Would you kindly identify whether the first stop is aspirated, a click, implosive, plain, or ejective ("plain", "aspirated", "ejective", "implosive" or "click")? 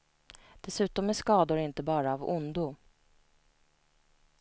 plain